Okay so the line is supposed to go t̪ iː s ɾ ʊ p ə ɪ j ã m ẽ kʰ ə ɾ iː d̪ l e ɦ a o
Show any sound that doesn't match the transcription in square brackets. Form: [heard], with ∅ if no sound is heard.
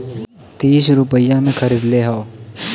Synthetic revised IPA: t̪ iː s ɾ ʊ p ə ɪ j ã m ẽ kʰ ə ɾ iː d̪ l e ɦ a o